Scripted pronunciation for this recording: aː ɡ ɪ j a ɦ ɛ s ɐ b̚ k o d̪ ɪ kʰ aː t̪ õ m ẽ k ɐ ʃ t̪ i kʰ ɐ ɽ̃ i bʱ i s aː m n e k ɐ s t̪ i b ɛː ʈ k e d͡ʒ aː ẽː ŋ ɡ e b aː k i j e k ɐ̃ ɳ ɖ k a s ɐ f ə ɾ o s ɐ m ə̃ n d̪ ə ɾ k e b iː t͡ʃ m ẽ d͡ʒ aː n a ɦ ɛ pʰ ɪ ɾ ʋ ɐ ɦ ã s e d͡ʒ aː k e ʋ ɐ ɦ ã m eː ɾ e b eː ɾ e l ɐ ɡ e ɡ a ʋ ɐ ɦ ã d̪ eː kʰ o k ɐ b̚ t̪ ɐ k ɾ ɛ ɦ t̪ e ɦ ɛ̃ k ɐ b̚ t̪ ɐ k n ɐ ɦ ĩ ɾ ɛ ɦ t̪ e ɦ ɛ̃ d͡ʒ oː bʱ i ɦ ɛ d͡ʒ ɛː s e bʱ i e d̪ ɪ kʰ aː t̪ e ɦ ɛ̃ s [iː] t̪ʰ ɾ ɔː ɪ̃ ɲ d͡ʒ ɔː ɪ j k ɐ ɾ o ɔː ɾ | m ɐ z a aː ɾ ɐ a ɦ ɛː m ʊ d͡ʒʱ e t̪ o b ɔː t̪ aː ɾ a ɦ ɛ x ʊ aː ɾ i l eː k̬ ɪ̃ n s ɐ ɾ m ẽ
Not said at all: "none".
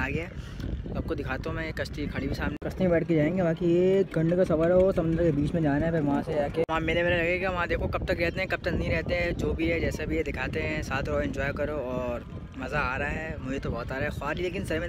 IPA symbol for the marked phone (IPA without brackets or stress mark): aː